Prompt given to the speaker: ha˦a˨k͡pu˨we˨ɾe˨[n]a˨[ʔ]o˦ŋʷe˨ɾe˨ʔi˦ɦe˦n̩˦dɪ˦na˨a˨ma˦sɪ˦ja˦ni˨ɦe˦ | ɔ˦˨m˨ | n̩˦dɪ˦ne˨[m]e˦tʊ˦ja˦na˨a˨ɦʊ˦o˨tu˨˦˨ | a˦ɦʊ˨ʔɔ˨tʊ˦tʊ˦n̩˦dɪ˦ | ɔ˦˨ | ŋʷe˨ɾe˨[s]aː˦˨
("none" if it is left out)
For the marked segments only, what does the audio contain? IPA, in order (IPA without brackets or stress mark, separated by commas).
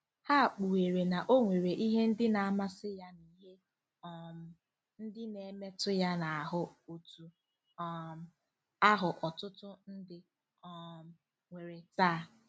n, ʔ, m, t